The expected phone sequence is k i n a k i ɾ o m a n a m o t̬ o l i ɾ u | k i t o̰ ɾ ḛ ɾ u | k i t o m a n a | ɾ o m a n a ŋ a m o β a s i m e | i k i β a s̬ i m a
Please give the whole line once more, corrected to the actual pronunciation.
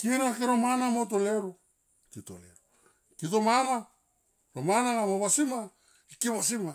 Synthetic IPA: k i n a k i ɾ o m a n a m o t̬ o l e ɾ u | k i t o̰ l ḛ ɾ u | k i t o m a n a | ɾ o m a n a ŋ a m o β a s i m a | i k i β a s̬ i m a